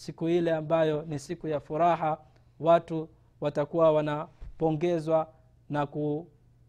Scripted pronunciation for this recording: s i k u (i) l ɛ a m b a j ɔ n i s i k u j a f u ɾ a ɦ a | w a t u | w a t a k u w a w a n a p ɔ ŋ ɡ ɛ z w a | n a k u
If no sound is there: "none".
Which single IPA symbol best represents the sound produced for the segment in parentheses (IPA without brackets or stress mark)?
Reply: i